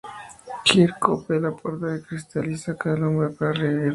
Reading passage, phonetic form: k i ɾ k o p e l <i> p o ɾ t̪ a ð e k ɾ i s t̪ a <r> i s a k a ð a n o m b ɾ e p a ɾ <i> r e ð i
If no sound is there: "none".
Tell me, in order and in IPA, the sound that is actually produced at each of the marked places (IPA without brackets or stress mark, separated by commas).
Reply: a, l, a